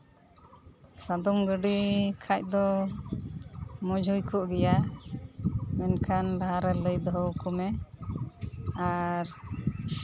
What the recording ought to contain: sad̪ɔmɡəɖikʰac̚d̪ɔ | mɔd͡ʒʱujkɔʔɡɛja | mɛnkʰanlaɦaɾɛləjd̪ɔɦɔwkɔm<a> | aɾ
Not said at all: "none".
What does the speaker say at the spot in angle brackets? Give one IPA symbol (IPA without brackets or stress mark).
ɛ